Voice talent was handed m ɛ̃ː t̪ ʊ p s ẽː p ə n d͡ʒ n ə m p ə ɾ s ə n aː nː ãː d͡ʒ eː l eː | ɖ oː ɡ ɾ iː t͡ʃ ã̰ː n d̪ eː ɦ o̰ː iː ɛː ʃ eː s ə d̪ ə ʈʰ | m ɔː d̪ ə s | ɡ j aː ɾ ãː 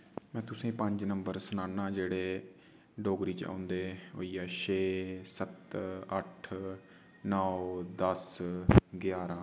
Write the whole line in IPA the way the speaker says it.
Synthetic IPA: m ɛ̃ː t̪ ʊ s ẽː p ə ɲ d͡ʒ n ə m b ə ɾ s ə n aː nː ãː d͡ʒ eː ɽ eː | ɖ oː ɡ ɾ iː t͡ʃ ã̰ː n d̪ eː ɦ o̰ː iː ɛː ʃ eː s ə t̪ ə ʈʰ | n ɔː d̪ ə s | ɡ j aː ɾ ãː